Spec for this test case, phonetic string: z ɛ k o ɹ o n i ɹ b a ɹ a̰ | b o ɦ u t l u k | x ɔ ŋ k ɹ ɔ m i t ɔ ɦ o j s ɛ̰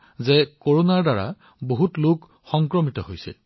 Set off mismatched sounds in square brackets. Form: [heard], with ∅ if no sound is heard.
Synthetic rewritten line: z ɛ k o ɹ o n [a] ɹ [d] a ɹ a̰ | b o ɦ u t l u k | x ɔ ŋ k ɹ ɔ m i t ɔ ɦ o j s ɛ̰